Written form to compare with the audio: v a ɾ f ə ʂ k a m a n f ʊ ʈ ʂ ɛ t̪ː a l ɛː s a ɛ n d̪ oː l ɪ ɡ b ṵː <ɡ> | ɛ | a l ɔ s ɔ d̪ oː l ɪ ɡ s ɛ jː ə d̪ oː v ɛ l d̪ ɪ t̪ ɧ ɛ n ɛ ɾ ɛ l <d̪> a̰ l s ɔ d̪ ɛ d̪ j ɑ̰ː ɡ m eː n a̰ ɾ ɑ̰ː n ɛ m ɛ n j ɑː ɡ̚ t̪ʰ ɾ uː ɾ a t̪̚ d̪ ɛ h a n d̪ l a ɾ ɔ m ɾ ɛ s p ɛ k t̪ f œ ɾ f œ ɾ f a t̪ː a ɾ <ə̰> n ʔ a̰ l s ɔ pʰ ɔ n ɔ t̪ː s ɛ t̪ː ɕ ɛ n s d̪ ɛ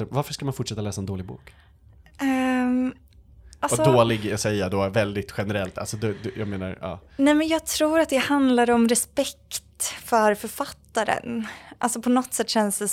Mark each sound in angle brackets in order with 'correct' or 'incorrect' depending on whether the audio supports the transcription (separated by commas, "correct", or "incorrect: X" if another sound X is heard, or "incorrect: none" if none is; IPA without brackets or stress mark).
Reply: incorrect: k, incorrect: t̪, correct